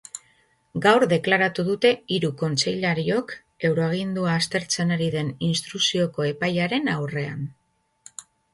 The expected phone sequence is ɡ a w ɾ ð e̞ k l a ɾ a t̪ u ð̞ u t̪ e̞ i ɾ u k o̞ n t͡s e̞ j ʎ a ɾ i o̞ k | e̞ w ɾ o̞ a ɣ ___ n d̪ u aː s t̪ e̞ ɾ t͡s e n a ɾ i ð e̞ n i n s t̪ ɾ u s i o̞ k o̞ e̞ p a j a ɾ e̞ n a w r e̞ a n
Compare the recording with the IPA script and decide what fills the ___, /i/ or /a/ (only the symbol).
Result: i